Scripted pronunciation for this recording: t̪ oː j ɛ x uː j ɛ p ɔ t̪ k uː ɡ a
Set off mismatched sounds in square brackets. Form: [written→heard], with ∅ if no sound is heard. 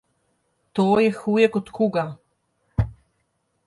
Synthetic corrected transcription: t̪ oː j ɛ x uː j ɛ [p→k] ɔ t̪ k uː ɡ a